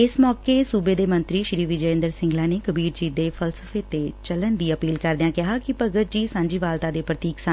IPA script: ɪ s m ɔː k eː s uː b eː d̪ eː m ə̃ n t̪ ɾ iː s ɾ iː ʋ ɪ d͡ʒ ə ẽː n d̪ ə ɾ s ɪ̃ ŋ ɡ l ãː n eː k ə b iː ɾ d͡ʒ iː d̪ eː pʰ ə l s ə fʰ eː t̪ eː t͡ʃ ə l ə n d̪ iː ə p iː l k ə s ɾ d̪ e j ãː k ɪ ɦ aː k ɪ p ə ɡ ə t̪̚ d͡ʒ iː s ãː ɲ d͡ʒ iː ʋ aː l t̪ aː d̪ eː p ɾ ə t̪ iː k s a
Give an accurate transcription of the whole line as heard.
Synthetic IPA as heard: ɪ s m ɔː k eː s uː b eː d̪ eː m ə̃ n t̪ ɾ iː ʃ ɾ iː ʋ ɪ d͡ʒ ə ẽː n d̪ ə ɾ s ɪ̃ ŋ ɡ l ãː n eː k ə b iː ɾ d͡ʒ iː d̪ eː pʰ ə l s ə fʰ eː t̪ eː t͡ʃ ə l ə n d̪ iː ə p iː l k ə ɾ d̪ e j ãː k ɪ ɦ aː k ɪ p ə ɡ ə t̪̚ d͡ʒ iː s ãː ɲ d͡ʒ iː ʋ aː l t̪ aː d̪ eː p ɾ ə t̪ iː k s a

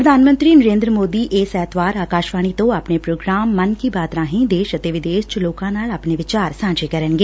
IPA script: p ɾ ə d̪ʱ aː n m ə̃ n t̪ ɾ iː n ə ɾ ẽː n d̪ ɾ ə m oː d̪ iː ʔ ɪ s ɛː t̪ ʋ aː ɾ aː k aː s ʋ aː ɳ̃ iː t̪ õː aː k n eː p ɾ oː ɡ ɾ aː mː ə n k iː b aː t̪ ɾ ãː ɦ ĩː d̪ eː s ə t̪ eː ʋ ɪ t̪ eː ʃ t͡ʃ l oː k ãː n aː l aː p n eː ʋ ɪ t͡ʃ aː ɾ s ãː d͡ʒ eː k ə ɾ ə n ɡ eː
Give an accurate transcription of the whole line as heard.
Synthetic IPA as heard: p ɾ ə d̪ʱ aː n m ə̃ n t̪ ɾ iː n ə ɾ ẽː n d̪ ɾ ə m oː d̪ iː ʔ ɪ s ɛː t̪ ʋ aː ɾ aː k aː ʃ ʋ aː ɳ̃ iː t̪ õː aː p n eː p ɾ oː ɡ ɾ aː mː ə n k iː b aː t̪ ɾ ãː ɦ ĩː d̪ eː ʃ ə t̪ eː ʋ ɪ d̪ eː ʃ t͡ʃ l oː k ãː n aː l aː p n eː ʋ ɪ t͡ʃ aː ɾ s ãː d͡ʒ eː k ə ɾ ə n ɡ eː

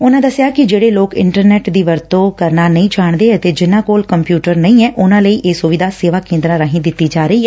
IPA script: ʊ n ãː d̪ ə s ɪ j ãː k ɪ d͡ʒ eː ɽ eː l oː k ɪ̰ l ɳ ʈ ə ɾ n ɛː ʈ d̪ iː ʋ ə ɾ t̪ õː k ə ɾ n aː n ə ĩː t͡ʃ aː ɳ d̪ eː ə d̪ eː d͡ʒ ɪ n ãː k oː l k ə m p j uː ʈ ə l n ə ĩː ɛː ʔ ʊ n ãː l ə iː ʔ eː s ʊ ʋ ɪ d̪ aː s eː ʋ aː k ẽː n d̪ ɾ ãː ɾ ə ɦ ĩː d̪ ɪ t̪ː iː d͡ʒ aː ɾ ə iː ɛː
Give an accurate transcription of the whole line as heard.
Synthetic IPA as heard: ʊ n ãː d̪ ə s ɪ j aː k ɪ d͡ʒ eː ɽ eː l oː k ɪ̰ ɳ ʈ ə ɾ n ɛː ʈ d̪ iː ʋ ə ɾ t̪ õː k ə ɾ n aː n ə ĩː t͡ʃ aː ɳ d̪ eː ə t̪ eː d͡ʒ ɪ n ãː k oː l k ə m p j uː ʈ ə ɾ n ə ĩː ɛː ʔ ʊ n ãː l ə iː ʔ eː s ʊ ʋ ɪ d̪ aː s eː ʋ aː k ẽː n d̪ ɾ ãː ɾ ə ɦ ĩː d̪ ɪ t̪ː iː d͡ʒ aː ɾ ə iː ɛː

